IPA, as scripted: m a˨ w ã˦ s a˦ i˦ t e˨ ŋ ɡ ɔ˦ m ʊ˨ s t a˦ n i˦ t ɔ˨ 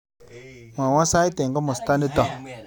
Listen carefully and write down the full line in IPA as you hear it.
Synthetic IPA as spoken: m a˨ w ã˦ s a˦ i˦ t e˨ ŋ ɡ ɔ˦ m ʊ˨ s t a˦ n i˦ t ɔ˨